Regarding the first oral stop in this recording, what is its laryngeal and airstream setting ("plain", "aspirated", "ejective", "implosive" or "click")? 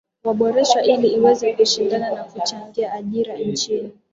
implosive